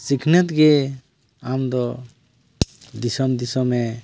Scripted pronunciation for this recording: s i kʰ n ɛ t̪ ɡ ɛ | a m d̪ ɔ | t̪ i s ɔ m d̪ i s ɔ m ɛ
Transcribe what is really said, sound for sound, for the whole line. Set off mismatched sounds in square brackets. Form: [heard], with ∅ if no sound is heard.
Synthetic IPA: s i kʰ n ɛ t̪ ɡ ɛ | a m d̪ ɔ | [d̪] i s ɔ m d̪ i s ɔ m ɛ